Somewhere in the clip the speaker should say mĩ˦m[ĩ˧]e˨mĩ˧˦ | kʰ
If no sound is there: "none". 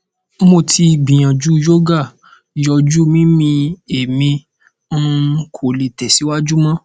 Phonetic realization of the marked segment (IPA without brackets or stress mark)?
ĩ˧